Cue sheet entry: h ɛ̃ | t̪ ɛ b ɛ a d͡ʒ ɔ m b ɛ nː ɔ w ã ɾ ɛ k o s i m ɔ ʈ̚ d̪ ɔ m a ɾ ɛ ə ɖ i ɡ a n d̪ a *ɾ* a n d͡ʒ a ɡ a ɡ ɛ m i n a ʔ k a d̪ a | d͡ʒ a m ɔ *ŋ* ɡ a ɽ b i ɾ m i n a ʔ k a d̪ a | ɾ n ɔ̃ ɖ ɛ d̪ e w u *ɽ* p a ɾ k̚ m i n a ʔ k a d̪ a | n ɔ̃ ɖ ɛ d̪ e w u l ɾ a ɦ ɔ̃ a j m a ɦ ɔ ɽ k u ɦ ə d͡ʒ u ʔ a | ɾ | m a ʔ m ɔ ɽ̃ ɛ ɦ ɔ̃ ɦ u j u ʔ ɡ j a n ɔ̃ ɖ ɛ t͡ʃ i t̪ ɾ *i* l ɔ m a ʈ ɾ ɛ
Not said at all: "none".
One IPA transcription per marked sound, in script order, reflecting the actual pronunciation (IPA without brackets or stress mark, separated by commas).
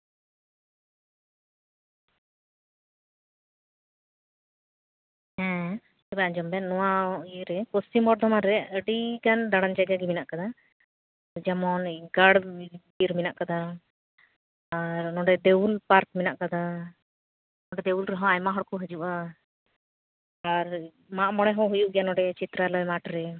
ɽ, n, l, a